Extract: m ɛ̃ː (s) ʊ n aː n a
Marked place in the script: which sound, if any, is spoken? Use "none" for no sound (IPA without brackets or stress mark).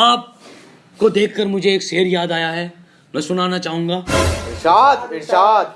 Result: s